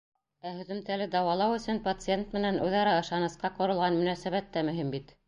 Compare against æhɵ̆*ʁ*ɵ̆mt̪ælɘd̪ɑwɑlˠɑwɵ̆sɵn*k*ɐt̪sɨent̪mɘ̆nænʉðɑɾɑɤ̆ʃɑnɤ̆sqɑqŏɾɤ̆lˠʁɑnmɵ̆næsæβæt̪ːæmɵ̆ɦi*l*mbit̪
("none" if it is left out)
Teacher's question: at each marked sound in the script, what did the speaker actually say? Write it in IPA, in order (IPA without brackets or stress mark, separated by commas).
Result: ð, p, none